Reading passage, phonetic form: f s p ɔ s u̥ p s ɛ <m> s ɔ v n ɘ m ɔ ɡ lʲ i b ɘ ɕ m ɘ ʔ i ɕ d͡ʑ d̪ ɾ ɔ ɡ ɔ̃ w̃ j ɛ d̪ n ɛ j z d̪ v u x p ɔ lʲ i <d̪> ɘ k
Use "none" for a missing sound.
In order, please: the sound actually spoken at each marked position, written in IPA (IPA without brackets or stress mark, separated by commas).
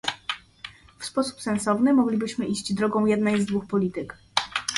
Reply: n, t̪